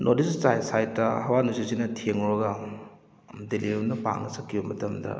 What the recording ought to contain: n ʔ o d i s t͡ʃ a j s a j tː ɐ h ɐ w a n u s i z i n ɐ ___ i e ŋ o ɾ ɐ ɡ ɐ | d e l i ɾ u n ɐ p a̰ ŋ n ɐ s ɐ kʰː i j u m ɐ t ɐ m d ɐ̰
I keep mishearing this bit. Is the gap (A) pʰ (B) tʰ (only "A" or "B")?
B